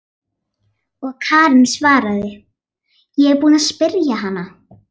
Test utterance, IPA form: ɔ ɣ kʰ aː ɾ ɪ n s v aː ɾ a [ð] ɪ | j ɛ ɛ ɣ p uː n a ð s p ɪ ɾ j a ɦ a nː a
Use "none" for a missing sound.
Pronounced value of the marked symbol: ð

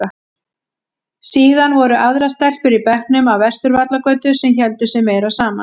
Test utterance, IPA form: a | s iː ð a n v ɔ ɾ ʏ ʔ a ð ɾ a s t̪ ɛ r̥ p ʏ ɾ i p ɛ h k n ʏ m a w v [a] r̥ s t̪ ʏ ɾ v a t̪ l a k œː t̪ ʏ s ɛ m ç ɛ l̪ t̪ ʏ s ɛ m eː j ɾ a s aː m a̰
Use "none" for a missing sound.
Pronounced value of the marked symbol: ɛ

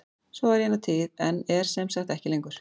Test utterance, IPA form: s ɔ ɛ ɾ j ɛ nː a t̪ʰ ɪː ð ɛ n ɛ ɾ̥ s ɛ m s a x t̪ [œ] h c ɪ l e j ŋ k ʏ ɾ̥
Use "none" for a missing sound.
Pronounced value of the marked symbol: ɛ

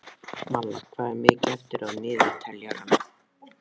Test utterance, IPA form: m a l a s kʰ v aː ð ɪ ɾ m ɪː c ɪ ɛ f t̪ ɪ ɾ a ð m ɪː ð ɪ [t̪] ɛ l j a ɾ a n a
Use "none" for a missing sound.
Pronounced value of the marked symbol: t̪ʰ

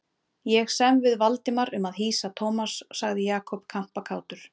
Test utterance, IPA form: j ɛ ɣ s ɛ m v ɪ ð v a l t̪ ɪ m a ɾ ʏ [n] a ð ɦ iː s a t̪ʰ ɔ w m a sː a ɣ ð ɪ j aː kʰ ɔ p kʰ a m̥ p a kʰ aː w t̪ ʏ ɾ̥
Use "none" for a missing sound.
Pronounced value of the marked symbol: m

